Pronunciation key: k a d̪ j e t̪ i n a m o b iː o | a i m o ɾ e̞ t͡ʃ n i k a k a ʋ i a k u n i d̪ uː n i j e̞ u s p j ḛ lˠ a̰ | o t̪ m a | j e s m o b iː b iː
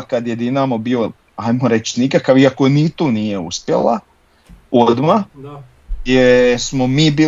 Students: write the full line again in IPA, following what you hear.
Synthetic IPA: k a d̪ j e d̪ i n a m o b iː o | a j m o ɾ e̞ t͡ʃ n i k a k a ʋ i a k o n i t̪ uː n i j e̞ u s p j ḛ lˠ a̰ | o d̪ m a | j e s m o m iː b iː